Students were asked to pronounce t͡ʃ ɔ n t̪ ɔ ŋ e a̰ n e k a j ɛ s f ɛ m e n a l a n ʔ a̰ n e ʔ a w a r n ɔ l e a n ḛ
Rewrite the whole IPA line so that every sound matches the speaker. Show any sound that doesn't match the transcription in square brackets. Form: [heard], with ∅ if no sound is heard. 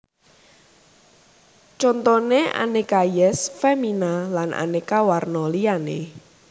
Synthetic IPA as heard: t͡ʃ ɔ n t̪ ɔ [n] e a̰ n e k a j ɛ s f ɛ m [i] n a l a n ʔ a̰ n e [k] a w a r n ɔ l [i] a n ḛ